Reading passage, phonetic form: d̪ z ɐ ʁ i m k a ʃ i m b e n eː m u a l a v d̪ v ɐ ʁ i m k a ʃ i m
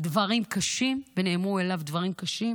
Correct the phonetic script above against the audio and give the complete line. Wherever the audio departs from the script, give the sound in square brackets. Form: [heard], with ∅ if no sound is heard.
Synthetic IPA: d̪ [v] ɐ ʁ i m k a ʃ i m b e n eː m u [e] l a v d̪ v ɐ ʁ i m k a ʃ i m